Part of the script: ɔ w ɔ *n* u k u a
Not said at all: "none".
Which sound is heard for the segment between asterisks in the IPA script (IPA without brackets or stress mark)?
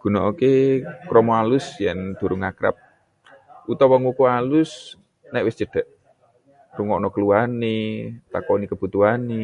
ŋ